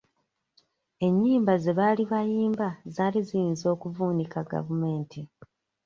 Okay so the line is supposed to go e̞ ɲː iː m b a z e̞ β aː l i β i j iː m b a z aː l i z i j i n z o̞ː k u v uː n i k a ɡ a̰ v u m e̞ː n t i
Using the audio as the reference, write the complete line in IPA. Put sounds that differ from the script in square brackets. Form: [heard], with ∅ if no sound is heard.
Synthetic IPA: e̞ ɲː iː m b a z e̞ β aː l i β [a] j iː m b a z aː l i z i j i n z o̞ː k u v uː n i k a ɡ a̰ v u m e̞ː n t i